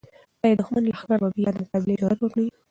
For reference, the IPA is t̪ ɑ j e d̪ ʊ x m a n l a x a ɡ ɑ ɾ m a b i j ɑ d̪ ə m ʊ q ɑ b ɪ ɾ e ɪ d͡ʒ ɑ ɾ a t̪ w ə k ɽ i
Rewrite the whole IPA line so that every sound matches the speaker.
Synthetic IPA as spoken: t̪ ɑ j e d̪ ʊ x m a n l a x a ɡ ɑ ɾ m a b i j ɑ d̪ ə m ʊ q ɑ b ɪ l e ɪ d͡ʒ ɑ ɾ a t̪ w ə k ɽ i